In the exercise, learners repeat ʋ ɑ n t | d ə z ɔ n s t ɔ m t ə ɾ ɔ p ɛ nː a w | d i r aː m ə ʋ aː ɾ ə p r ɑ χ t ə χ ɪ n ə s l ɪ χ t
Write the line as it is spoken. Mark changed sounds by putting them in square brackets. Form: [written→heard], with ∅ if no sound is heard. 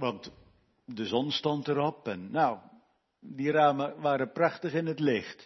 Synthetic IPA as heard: ʋ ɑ n t | d ə z ɔ n s t ɔ [m→n] t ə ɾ ɔ p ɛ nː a w | d i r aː m ə ʋ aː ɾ ə p r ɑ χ t ə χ ɪ n ə [s→t] l ɪ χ t